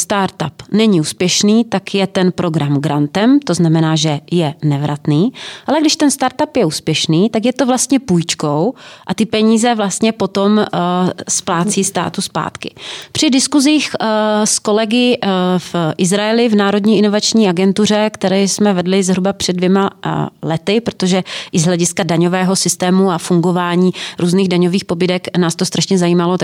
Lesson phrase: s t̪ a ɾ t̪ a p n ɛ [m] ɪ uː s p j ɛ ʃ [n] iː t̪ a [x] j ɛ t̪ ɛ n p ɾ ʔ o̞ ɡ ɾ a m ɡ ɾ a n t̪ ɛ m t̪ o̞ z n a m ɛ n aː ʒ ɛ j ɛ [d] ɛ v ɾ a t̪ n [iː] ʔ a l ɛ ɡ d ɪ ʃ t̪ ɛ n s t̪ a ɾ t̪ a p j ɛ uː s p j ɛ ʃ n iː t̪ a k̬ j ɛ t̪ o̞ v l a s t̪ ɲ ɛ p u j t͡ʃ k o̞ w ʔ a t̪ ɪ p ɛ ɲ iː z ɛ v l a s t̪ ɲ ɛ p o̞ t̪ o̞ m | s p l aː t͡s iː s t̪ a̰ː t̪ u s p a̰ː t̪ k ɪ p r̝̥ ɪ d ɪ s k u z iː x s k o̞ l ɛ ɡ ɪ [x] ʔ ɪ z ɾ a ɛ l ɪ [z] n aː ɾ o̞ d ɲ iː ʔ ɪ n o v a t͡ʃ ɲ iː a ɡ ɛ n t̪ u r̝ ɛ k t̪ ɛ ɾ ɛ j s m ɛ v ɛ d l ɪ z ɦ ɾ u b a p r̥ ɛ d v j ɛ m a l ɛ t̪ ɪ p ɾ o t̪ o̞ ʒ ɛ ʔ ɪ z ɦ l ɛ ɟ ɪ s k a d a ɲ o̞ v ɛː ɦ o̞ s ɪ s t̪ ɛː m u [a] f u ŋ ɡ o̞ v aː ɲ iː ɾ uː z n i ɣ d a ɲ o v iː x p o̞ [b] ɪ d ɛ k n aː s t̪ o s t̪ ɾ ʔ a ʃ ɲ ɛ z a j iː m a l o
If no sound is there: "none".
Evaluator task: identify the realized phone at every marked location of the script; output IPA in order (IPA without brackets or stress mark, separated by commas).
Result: ɲ, n, k, n, iː, f, v, a, b